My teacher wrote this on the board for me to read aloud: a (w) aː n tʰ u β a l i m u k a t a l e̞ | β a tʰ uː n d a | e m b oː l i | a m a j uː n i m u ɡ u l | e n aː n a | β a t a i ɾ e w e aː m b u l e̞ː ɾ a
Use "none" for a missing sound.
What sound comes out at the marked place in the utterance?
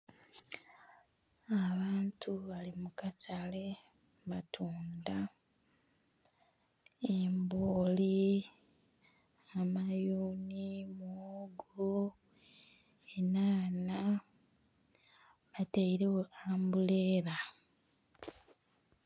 β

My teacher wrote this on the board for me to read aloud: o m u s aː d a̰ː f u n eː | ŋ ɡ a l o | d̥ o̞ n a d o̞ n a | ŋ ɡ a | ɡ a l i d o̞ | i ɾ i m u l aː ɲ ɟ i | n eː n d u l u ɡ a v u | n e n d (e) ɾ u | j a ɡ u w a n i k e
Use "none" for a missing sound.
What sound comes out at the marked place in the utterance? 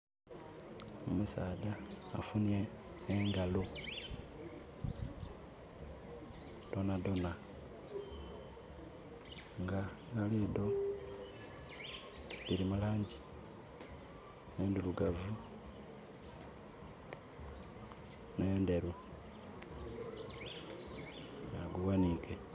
e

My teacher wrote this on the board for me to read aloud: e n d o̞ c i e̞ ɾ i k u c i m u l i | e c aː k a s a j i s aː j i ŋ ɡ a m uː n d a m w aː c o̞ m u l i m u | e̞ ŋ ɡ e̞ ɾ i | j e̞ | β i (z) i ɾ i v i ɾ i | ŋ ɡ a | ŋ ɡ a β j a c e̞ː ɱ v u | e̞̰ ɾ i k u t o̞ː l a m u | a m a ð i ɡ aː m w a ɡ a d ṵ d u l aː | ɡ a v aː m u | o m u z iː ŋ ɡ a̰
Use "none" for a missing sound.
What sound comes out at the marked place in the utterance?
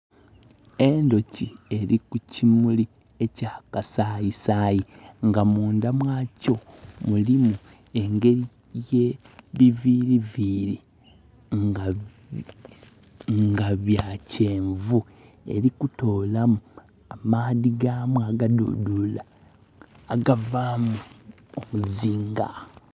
v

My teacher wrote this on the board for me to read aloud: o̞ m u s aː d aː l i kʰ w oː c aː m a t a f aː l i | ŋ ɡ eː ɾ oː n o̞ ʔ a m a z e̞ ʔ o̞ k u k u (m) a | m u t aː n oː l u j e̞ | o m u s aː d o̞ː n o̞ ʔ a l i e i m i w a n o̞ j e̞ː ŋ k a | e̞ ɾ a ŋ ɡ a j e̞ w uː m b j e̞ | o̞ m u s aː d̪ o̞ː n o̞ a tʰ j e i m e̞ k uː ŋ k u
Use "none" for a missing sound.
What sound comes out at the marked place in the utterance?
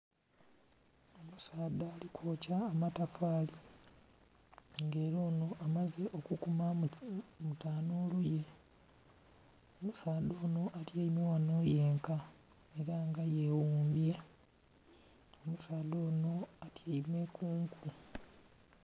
m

